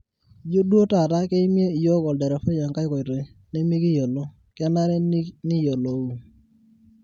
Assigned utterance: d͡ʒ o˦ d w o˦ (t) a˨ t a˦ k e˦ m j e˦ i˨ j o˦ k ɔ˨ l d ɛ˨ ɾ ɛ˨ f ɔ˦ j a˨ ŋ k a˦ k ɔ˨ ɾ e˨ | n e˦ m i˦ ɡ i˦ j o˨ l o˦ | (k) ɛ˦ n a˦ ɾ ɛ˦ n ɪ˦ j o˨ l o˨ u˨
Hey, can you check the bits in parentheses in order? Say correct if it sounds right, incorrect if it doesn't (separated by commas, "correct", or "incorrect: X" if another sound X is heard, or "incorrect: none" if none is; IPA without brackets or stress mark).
correct, correct